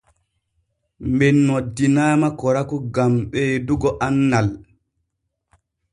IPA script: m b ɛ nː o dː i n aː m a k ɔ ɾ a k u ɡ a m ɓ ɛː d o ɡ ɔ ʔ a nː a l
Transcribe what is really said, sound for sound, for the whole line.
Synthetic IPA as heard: m b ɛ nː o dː i n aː m a k ɔ ɾ a k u ɡ a m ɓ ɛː d u ɡ ɔ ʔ a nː a l